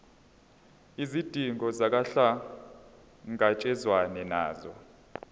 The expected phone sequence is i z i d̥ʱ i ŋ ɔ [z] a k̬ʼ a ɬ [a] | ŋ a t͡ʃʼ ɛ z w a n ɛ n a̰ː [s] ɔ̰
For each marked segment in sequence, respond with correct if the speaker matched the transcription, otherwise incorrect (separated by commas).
correct, correct, incorrect